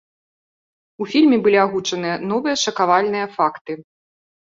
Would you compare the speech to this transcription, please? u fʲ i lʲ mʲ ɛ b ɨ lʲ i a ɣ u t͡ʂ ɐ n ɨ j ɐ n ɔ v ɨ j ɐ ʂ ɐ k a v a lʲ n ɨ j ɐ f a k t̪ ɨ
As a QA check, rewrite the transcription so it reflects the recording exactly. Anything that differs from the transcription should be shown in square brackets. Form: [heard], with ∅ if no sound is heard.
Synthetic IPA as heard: u fʲ i lʲ mʲ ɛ b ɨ lʲ i a ɣ u t͡ʂ ɐ n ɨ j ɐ n ɔ v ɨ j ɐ ʂ ɐ k a v a lʲ n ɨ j ɐ f a k t̪ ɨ